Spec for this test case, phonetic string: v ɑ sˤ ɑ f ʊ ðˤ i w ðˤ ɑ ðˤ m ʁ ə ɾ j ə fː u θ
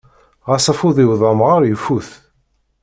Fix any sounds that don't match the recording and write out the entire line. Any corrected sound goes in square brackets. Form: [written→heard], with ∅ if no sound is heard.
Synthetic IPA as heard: [v→ʁ] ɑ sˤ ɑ f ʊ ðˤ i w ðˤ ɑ [ðˤ→∅] m ʁ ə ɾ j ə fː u θ